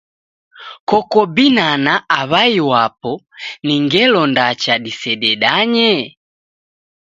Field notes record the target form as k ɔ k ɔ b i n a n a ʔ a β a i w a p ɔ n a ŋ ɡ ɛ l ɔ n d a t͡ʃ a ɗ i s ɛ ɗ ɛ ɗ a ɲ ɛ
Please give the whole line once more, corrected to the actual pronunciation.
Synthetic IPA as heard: k ɔ k ɔ b i n a n a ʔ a β a i w a p ɔ n i ŋ ɡ ɛ l ɔ n d a t͡ʃ a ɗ i s ɛ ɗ ɛ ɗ a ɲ ɛ